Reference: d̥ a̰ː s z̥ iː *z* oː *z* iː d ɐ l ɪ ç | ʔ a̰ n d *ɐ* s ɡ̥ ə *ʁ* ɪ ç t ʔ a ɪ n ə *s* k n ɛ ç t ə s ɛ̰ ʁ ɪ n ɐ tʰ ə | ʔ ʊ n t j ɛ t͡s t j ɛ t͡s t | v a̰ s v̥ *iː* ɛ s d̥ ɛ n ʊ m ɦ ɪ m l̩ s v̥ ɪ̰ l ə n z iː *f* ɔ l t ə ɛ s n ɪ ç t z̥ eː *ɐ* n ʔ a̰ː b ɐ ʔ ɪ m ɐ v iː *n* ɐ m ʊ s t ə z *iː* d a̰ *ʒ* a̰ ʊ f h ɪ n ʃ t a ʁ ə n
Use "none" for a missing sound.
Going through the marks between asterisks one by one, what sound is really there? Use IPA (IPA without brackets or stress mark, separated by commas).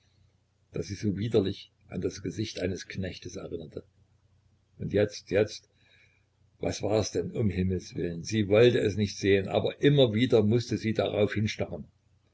z, v, a, z, s, aː, v, ə, d, iː, ʁ